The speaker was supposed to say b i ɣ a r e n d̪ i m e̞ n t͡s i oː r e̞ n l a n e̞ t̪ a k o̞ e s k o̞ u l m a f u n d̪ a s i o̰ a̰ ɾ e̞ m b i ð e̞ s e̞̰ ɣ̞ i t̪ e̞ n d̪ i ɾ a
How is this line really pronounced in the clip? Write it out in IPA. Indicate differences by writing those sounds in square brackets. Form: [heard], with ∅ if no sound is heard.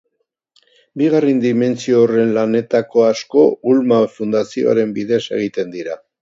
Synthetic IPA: b i ɣ a r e n d̪ i m e̞ n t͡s i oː r e̞ n l a n e̞ t̪ a k o̞ [a] s k o̞ u l m a f u n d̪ a s i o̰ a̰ ɾ e̞ m b i ð e̞ s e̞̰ ɣ̞ i t̪ e̞ n d̪ i ɾ a